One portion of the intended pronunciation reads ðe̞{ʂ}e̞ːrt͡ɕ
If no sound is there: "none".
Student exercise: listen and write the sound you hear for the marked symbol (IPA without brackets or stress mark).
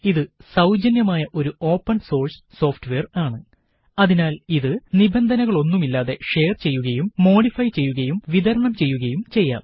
ʂ